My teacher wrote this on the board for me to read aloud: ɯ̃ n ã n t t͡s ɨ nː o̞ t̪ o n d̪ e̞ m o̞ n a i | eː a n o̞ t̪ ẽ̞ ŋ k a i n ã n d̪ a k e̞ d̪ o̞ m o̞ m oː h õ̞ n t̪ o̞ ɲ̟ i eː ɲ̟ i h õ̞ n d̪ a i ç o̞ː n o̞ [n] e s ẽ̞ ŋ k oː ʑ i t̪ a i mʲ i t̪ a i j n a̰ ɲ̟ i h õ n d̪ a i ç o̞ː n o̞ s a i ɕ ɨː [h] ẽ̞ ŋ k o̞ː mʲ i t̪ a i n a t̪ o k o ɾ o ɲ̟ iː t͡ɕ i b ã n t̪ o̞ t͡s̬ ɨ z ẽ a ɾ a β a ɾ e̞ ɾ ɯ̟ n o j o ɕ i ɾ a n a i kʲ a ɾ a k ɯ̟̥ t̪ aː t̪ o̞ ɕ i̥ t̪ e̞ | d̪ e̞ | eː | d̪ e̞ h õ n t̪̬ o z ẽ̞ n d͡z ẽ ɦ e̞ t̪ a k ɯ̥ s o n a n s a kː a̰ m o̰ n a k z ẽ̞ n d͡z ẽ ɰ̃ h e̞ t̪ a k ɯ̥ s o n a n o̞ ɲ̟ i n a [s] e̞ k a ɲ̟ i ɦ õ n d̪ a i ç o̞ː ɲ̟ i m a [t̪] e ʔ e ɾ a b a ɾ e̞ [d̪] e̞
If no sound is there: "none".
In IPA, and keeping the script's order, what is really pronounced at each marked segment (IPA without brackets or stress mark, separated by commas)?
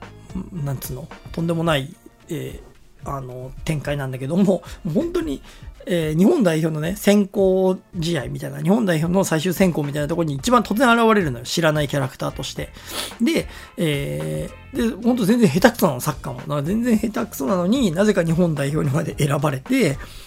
n, s, z, d̪, t̪